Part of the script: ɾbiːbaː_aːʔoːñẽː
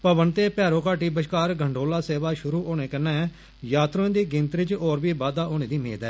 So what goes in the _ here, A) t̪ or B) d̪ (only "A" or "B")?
B